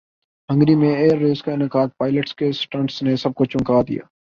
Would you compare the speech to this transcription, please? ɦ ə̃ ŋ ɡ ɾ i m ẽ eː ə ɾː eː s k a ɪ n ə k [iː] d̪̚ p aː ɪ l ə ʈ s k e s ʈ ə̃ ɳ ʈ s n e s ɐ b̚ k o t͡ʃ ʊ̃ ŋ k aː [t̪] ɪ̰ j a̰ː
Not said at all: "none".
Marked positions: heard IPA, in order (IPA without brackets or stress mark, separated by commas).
aː, d̪